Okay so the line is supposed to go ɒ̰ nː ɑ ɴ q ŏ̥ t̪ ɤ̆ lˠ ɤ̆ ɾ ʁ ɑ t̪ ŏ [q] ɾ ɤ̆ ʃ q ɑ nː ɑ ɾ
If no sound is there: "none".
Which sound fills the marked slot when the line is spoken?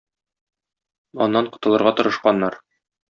none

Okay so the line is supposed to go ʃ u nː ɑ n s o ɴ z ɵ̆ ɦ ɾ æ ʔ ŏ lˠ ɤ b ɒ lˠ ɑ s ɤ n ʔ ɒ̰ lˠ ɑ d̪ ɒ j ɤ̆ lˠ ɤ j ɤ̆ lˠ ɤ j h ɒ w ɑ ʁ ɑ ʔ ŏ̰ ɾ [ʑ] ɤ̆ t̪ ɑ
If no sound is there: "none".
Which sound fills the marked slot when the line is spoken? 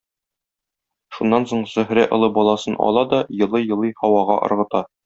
ʁ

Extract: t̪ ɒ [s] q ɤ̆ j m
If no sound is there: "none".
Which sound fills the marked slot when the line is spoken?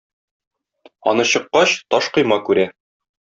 ʃ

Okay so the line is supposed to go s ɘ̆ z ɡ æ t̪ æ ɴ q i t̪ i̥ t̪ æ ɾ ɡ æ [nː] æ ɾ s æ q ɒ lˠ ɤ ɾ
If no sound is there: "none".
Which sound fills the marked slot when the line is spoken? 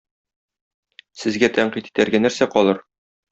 n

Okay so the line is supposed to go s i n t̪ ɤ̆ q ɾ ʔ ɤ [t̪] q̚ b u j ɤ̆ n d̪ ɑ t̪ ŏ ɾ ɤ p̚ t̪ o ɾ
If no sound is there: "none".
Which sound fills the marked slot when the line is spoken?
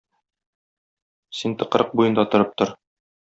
none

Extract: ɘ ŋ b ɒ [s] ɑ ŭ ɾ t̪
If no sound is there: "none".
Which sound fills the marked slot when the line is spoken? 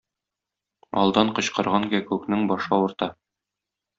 ʃ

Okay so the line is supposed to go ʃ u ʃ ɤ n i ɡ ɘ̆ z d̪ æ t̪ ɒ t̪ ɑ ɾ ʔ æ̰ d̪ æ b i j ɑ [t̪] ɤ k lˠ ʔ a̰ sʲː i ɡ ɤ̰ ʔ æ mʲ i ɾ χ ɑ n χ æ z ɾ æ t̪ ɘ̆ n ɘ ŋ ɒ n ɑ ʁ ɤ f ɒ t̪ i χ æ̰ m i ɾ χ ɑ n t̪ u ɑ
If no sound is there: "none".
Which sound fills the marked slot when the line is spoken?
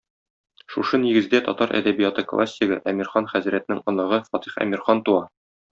t̪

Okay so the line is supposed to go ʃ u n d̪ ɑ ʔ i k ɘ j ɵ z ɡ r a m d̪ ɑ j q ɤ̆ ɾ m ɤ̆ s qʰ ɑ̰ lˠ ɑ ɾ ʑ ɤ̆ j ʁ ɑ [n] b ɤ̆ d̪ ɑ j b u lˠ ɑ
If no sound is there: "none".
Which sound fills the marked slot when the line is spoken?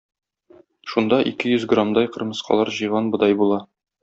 n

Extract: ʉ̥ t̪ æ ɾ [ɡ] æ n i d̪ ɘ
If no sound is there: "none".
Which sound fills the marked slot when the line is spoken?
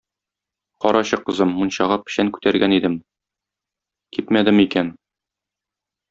ɡ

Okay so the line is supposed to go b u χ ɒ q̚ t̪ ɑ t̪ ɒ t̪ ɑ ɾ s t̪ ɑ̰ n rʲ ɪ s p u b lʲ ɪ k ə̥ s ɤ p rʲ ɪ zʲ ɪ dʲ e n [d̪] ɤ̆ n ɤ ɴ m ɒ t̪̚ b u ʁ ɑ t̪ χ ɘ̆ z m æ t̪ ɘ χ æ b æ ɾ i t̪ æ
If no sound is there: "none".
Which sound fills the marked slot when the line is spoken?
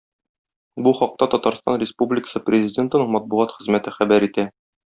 t̪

